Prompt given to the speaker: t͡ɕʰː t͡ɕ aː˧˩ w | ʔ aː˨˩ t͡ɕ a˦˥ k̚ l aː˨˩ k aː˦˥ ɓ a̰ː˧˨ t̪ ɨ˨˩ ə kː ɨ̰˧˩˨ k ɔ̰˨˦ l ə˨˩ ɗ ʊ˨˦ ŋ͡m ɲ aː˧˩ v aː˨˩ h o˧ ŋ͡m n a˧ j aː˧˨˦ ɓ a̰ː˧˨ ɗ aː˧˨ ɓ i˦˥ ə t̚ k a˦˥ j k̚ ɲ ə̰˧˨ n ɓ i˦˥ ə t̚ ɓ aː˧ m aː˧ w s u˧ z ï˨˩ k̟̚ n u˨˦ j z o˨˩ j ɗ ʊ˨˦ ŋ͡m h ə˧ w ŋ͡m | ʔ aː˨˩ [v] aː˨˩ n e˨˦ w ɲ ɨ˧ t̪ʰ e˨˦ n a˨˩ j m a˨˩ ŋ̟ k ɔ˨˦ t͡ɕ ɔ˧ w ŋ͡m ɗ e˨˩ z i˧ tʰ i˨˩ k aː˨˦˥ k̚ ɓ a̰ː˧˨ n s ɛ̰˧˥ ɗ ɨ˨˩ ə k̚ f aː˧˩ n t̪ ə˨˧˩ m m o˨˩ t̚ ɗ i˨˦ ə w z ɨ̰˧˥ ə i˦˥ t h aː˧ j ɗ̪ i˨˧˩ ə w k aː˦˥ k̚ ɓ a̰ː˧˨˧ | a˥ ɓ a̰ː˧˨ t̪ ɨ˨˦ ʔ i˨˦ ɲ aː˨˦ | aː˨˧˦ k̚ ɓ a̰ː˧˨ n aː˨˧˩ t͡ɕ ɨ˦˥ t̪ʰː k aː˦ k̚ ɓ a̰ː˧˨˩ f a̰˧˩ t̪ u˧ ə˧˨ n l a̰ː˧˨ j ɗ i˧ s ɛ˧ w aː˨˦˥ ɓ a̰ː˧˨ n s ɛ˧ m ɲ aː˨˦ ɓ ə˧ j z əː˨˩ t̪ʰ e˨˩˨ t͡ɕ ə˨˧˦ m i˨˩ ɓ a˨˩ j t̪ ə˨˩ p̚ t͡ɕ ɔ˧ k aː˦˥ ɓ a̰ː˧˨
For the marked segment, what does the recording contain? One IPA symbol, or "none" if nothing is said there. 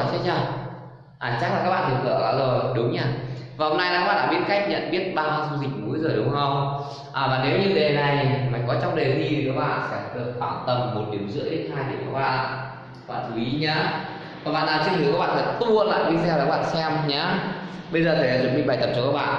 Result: v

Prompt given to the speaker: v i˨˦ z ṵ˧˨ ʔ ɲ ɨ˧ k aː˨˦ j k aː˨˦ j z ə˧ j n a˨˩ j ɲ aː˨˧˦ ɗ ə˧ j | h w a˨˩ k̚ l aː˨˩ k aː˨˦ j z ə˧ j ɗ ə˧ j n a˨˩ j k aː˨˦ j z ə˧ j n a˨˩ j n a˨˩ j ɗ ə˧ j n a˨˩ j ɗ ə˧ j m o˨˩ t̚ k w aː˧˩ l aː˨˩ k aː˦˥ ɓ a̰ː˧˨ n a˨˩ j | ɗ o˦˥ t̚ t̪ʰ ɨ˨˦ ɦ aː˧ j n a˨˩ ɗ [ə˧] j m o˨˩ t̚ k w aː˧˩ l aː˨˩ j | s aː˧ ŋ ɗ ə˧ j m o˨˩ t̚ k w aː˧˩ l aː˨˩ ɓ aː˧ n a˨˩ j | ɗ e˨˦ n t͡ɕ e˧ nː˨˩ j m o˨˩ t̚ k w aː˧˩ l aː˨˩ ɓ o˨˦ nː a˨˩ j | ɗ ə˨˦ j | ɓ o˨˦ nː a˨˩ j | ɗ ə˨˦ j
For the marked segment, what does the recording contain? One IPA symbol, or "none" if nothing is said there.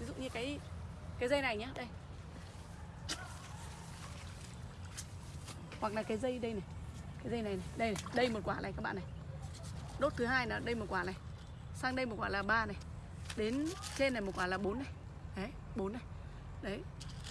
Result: ə˧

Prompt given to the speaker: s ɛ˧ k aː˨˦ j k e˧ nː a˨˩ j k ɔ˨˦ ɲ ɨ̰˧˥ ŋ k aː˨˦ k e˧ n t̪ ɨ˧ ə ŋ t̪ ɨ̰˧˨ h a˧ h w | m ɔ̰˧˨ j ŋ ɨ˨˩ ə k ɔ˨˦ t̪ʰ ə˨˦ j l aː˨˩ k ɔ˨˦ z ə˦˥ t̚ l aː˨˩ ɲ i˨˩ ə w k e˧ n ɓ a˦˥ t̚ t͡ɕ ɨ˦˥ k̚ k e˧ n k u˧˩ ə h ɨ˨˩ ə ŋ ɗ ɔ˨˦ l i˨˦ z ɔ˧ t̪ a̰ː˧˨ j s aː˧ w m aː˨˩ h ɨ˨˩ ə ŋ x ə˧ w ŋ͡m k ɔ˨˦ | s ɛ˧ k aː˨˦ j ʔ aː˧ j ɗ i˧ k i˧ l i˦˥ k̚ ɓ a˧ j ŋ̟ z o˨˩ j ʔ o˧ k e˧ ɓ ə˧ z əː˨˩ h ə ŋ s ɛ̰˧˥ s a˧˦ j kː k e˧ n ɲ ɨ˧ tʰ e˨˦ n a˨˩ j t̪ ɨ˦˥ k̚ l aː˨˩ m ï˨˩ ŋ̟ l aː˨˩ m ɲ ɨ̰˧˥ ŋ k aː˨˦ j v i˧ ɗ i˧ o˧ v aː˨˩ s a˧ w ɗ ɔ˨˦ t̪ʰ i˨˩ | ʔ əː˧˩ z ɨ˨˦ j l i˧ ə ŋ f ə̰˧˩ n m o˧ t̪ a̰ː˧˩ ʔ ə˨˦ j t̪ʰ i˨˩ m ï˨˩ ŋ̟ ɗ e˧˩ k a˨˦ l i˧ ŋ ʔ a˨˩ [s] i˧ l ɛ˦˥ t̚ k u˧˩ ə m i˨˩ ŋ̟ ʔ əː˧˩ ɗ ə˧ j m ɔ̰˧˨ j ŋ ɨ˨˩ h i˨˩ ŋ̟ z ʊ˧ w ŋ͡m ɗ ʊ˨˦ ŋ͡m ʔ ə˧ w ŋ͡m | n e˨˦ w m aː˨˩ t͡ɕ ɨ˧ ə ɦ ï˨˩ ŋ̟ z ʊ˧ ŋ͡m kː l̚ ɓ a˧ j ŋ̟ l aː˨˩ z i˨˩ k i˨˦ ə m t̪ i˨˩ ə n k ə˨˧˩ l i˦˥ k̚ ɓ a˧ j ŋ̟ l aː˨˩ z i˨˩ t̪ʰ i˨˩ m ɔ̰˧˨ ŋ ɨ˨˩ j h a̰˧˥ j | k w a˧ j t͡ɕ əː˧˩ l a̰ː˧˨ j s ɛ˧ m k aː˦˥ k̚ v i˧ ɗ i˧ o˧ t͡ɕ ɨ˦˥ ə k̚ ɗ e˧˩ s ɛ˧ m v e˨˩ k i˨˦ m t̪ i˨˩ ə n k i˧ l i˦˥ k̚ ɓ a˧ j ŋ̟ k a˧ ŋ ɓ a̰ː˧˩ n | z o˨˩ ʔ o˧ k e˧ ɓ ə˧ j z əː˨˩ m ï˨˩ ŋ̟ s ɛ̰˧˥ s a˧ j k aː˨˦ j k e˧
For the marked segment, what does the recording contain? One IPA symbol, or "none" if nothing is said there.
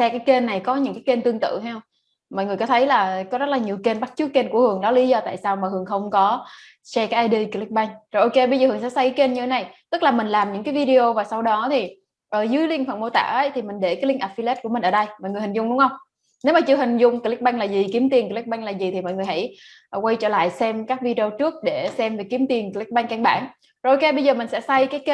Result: f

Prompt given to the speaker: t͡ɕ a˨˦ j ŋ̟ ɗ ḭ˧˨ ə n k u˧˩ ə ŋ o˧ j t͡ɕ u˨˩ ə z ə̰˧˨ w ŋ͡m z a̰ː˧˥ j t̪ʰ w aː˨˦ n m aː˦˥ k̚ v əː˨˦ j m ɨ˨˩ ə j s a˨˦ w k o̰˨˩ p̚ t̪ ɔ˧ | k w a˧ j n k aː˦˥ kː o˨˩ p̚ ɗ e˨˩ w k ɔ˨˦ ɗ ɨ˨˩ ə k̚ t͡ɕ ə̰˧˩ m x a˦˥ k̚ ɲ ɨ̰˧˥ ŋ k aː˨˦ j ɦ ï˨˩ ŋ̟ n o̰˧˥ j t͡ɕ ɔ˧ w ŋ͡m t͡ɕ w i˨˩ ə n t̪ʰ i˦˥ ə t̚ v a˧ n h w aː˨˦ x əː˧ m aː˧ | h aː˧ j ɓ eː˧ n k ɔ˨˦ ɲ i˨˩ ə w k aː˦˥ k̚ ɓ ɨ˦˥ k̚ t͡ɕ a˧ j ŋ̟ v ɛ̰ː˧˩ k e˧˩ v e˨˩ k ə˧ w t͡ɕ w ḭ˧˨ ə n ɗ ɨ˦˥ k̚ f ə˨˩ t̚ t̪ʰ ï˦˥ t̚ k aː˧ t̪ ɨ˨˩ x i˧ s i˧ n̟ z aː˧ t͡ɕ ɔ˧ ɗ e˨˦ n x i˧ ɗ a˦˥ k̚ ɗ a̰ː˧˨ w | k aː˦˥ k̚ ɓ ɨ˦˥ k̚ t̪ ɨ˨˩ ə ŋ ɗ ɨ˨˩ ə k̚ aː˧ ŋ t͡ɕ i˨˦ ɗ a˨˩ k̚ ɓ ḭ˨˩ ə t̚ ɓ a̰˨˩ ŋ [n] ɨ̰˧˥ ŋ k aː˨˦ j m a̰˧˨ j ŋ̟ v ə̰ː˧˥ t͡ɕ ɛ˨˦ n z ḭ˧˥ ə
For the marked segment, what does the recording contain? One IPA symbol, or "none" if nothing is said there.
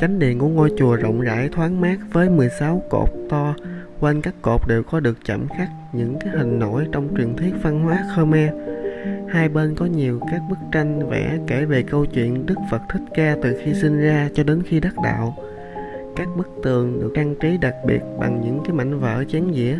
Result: ɲ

